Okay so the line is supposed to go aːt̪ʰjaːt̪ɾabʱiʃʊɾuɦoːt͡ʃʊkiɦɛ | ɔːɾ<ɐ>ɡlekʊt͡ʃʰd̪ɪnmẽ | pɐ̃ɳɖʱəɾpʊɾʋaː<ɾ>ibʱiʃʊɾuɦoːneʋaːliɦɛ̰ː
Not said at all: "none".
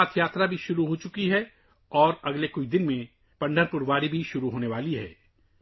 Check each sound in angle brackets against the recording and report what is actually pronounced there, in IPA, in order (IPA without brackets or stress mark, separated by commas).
ɐ, ɾ